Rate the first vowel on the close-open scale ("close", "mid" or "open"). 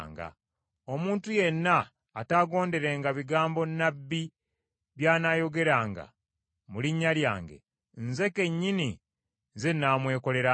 open